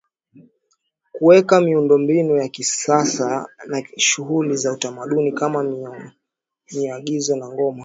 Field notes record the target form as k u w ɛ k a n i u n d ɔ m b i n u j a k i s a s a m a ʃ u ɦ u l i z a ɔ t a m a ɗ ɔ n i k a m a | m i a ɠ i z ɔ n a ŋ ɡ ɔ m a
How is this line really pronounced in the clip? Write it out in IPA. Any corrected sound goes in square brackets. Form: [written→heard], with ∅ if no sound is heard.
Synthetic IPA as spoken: k u w ɛ k a [n→m] i u n d ɔ m b i n u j a k i s a s a [m→n] a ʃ u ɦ u l i z a [ɔ→u] t a m a ɗ [ɔ→u] n i k a m a | m i a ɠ i z ɔ n a ŋ ɡ ɔ m a